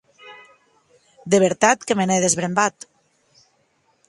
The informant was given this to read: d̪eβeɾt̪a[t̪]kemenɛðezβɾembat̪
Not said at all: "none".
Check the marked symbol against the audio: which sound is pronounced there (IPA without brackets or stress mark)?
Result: t̪